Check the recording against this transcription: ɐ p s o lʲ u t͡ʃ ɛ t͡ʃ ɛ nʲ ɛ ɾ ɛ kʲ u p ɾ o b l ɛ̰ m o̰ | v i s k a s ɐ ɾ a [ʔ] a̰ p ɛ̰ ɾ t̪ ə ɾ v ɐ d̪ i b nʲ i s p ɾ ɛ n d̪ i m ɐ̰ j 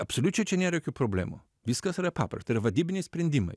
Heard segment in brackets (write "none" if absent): p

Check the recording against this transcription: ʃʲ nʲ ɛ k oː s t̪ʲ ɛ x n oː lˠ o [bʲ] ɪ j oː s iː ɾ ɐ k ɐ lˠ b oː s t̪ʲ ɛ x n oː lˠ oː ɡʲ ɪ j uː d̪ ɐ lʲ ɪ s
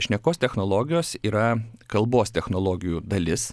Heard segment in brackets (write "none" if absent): ɡʲ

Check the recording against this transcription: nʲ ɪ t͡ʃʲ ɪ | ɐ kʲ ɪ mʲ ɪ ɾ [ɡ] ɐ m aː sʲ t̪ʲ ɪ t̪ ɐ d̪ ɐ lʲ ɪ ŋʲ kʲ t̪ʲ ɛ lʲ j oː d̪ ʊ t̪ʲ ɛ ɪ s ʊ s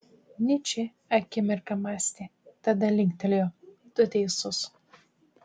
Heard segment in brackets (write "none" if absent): k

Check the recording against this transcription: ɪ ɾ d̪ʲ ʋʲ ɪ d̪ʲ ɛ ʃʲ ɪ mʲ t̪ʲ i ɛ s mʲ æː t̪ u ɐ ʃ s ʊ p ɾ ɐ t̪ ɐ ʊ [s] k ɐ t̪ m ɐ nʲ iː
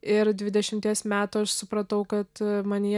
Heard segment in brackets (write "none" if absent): none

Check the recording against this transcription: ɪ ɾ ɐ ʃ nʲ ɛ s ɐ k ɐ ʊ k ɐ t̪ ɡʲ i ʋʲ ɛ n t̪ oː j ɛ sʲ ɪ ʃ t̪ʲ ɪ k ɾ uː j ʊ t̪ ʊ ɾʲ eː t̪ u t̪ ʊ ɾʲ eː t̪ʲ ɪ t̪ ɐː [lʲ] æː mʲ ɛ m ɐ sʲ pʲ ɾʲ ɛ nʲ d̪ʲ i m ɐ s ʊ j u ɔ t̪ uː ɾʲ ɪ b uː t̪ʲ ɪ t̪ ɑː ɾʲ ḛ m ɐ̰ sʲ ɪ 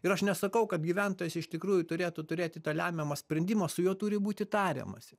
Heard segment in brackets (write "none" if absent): lʲ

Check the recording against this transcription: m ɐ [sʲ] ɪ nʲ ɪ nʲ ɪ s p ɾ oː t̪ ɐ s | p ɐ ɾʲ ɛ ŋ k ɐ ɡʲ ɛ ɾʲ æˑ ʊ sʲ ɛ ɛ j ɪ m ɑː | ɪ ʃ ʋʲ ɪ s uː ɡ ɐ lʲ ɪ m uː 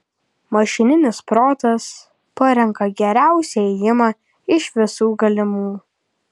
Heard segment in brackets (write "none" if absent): ʃʲ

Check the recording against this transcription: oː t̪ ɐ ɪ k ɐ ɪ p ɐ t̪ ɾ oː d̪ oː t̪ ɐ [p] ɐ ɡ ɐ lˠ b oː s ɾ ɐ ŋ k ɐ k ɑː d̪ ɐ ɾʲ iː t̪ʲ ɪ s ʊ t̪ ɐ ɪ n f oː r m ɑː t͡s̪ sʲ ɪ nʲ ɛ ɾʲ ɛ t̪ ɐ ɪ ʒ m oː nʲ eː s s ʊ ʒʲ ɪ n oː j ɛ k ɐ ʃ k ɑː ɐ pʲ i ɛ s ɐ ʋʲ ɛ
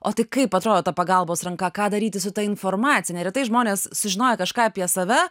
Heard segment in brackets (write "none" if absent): p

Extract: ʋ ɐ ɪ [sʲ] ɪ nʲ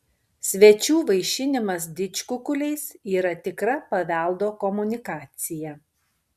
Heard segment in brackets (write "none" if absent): ʃʲ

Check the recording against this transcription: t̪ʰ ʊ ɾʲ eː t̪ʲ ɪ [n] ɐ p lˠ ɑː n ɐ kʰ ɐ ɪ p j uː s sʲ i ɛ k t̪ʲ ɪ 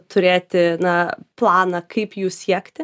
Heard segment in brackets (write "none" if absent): n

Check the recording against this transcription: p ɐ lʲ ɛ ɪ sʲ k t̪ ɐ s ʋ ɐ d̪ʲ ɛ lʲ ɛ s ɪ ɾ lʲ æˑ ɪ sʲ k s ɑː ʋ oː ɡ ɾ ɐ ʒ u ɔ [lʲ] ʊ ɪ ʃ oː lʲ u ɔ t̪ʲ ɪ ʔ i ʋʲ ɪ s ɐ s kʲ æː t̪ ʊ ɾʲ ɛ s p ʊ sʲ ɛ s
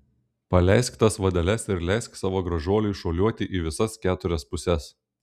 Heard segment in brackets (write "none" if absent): lʲ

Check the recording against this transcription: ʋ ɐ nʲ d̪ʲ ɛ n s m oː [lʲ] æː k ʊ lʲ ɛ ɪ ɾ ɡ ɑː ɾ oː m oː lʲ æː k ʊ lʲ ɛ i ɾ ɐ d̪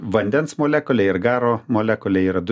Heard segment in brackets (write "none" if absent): lʲ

